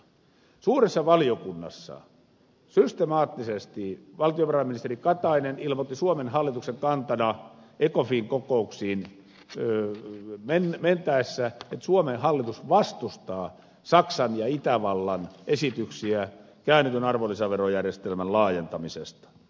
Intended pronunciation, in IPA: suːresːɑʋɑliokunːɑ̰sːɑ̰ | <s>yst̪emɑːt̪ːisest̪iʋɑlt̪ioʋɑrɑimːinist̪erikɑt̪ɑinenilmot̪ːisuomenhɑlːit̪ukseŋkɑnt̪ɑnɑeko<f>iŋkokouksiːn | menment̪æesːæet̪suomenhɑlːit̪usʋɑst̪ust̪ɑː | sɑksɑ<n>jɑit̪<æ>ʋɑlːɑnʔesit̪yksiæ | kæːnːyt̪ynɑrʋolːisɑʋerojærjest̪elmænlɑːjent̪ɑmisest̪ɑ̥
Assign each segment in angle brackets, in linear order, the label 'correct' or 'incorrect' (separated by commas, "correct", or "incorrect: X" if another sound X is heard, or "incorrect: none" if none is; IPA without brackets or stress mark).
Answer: correct, correct, correct, correct